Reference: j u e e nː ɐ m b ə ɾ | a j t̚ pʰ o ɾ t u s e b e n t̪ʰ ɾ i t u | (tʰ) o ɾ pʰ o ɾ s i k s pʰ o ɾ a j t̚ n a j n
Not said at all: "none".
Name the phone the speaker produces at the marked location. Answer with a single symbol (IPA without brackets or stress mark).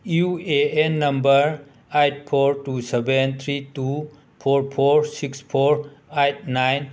pʰ